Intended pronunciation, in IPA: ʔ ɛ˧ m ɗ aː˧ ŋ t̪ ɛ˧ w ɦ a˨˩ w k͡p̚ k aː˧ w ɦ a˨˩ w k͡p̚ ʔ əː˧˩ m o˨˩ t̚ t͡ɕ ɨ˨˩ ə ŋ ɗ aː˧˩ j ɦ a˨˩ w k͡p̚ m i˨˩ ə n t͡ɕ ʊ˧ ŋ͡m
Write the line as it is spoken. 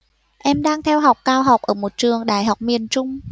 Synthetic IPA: ʔ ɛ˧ m ɗ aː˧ ŋ t̪ʰ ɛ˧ w ɦ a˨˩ w k͡p̚ k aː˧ w ɦ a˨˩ w k͡p̚ ʔ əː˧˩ m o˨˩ t̚ t͡ɕ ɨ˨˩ ə ŋ ɗ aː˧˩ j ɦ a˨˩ w k͡p̚ m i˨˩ ə n t͡ɕ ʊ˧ ŋ͡m